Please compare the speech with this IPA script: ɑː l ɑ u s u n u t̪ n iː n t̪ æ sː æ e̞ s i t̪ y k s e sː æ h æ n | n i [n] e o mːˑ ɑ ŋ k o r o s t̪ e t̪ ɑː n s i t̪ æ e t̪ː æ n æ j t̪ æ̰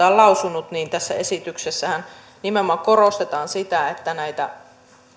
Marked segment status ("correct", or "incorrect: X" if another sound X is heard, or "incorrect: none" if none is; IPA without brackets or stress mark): incorrect: m